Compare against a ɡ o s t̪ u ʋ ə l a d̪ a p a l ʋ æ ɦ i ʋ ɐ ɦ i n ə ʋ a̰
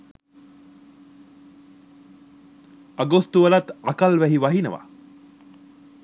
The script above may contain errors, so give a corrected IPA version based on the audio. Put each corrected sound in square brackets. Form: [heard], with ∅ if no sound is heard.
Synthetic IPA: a ɡ o s t̪ u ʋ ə l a [t̪] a [k] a l ʋ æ ɦ i ʋ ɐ ɦ i n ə ʋ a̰